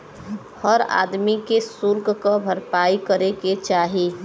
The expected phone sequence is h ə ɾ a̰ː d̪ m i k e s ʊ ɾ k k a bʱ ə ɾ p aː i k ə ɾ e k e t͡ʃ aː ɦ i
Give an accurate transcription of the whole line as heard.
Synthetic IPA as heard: h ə ɾ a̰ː d̪ m i k e s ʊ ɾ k k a bʱ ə ɾ p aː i k ə ɾ e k e t͡ʃ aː ɦ i